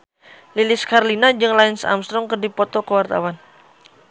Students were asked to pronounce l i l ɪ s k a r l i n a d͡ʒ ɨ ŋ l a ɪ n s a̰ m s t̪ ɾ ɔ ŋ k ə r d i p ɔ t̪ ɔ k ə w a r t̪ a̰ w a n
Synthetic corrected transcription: l i l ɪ s k a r l i n a d͡ʒ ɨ ŋ l a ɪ n s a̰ m s t̪ ɾ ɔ ŋ k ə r d i p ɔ t̪ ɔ k ə w a r t̪ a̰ w a n